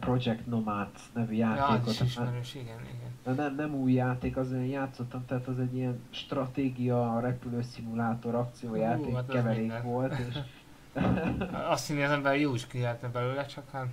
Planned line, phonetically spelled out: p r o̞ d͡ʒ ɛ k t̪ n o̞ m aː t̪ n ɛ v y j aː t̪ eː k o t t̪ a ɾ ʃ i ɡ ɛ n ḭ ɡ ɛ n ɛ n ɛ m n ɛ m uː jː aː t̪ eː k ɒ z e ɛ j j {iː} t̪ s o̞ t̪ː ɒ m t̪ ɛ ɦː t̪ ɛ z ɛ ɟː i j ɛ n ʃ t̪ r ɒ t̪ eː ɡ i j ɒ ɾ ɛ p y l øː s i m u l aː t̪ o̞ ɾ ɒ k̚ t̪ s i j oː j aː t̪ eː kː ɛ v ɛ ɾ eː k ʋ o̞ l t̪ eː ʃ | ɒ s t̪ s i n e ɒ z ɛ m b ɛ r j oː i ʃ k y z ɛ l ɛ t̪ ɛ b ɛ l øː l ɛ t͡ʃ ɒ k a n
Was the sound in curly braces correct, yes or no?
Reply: no